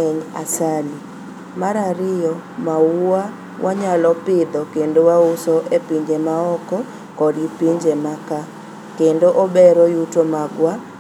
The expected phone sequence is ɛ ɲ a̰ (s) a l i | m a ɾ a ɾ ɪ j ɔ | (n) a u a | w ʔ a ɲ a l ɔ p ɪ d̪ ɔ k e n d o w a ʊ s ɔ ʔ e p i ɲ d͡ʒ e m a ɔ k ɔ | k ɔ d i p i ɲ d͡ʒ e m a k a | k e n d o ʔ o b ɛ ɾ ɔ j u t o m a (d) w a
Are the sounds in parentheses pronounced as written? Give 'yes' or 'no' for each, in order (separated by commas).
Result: yes, no, no